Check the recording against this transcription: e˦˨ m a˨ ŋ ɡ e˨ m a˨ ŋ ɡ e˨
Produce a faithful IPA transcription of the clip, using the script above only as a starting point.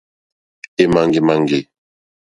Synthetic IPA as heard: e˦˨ m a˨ ŋ ɡ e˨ m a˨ ŋ ɡ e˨